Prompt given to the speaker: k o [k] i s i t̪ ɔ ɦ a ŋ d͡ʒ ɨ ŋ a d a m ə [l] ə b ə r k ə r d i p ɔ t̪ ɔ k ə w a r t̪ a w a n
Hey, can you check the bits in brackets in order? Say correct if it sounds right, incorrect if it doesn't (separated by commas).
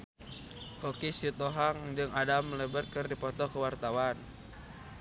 correct, correct